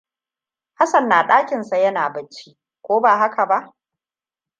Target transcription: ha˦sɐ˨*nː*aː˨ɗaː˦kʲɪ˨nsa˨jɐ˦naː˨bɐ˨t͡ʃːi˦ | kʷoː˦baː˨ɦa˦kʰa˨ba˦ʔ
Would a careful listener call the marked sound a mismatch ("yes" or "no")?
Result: no